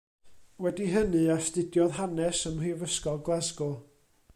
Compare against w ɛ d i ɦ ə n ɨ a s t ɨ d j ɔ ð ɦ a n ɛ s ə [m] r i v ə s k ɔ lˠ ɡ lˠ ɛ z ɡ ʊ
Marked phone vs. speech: correct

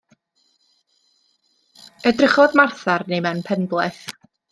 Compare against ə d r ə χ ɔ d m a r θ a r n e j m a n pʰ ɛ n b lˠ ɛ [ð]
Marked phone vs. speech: incorrect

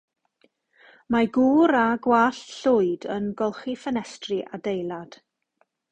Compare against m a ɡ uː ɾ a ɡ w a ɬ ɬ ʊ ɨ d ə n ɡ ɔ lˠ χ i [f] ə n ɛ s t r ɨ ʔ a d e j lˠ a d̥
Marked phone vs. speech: correct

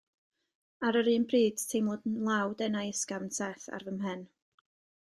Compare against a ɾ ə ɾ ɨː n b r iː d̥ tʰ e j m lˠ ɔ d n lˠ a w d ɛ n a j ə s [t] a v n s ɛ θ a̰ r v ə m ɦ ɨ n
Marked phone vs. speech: incorrect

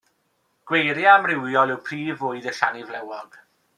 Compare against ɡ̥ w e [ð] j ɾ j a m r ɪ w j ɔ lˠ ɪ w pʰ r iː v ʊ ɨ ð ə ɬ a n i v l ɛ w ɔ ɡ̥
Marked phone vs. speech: incorrect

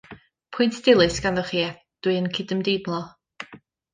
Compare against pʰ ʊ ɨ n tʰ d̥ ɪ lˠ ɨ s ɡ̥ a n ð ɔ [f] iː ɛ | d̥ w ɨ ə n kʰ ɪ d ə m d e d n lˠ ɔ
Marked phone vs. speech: incorrect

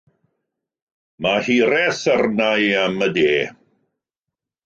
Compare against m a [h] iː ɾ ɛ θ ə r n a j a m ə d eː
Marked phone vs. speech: correct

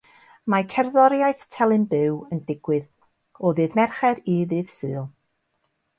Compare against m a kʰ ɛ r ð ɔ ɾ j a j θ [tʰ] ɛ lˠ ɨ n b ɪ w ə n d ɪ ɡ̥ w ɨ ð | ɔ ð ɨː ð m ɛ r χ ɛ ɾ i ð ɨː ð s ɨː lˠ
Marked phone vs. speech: correct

